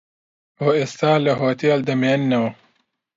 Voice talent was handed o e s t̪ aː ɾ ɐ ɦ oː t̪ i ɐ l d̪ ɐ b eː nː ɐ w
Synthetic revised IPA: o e s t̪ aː l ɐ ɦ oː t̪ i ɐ l d̪ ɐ m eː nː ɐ w